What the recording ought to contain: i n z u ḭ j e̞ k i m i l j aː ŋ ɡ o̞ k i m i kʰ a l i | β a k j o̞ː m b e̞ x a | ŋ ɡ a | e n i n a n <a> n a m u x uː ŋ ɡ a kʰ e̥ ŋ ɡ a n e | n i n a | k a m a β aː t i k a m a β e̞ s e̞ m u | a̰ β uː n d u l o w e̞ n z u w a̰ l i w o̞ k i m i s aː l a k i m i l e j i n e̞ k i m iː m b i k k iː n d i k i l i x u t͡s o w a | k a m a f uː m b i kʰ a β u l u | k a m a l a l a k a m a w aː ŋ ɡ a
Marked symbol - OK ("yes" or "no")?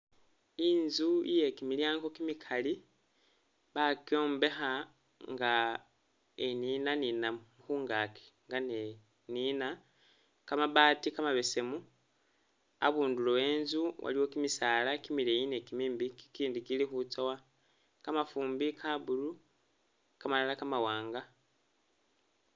no